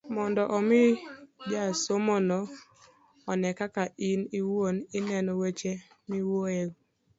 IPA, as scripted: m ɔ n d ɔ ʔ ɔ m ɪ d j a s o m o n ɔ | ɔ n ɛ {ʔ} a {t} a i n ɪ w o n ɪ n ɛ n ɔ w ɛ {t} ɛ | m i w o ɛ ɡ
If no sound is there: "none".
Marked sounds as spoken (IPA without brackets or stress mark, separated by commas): k, k, t͡ʃ